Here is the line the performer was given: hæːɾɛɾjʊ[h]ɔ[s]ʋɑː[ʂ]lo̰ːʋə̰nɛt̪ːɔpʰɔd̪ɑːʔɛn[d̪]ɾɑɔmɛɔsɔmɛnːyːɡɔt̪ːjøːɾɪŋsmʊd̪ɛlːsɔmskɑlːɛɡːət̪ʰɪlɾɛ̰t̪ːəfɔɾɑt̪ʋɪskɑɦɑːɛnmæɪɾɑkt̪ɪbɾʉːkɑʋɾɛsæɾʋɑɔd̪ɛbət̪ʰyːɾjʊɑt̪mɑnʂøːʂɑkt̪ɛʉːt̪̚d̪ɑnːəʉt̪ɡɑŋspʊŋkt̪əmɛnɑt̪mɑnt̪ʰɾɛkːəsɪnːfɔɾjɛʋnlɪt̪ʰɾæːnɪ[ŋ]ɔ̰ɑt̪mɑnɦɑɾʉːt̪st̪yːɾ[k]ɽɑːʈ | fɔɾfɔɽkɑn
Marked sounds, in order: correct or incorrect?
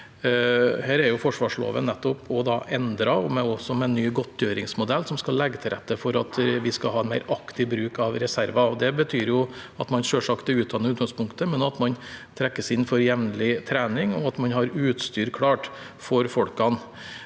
incorrect: f, incorrect: ʂ, correct, correct, correct, incorrect: kʰ

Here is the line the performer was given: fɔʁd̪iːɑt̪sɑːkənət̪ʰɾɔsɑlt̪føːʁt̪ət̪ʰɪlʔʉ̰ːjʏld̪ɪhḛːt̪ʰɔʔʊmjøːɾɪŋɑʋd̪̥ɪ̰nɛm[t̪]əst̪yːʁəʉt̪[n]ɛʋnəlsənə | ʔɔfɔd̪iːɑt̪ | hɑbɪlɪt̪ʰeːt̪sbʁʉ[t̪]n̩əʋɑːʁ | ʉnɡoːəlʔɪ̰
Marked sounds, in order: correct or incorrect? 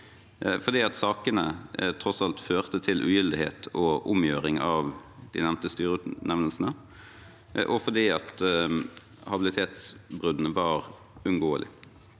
correct, correct, incorrect: d̪

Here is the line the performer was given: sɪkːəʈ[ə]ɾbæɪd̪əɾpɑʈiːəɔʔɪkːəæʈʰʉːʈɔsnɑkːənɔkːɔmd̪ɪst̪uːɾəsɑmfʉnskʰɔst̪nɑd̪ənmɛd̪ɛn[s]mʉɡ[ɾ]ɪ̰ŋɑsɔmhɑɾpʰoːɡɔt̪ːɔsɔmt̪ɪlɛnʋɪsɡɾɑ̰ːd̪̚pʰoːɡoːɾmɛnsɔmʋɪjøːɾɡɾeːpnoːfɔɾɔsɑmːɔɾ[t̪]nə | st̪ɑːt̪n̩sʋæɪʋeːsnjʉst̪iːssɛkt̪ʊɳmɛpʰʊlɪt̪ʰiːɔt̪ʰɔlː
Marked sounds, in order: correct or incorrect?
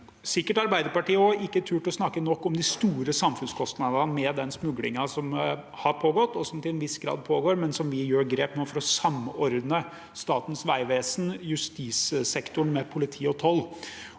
incorrect: ɑ, correct, incorrect: l, incorrect: d̪

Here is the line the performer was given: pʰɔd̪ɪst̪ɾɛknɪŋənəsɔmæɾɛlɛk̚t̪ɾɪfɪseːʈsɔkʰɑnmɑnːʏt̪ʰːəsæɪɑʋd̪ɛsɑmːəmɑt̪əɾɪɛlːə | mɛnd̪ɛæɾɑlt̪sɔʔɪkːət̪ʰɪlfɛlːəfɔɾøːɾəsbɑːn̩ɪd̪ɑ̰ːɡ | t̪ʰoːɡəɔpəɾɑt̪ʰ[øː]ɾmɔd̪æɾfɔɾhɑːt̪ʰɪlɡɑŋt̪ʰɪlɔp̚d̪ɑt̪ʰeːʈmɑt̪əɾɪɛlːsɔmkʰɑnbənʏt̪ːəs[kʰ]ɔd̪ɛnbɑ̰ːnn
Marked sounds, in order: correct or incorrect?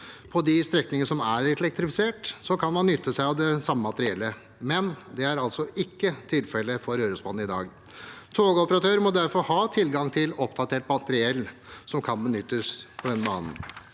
correct, incorrect: pʰ

